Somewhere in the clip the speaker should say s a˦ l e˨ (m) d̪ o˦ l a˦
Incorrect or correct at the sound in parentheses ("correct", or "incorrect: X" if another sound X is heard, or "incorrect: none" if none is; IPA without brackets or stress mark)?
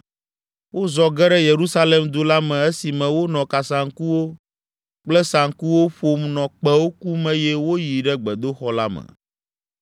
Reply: correct